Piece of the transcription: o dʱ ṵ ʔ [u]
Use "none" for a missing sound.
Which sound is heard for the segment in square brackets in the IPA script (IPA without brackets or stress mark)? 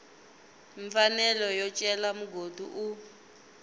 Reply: u